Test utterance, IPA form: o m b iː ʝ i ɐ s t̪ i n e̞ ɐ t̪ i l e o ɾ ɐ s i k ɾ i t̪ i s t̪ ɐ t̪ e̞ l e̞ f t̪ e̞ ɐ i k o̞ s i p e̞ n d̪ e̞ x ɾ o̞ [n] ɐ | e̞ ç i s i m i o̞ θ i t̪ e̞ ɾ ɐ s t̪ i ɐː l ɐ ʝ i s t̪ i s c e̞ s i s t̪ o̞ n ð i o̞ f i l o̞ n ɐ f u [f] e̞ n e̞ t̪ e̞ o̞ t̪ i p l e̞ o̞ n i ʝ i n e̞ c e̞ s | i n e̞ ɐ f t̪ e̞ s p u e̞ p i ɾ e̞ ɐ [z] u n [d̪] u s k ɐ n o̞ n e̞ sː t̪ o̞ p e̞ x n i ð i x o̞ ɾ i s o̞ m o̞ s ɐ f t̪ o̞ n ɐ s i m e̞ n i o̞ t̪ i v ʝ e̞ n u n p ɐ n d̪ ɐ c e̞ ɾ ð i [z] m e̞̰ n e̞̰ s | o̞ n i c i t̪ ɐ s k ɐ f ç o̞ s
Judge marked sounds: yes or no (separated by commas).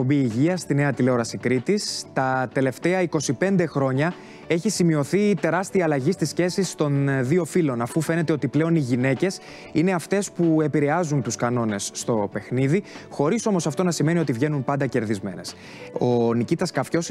no, yes, yes, no, yes